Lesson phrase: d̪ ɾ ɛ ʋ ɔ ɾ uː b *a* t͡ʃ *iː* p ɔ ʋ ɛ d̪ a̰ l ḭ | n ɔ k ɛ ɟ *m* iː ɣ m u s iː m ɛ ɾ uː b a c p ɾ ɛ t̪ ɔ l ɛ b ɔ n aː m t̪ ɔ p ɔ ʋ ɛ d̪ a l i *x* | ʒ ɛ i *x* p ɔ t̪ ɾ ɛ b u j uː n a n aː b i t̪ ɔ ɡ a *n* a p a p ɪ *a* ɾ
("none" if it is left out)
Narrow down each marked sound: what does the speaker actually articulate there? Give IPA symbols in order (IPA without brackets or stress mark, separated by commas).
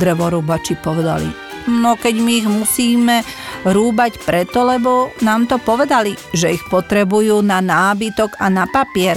a, i, m, none, x, n, ɛ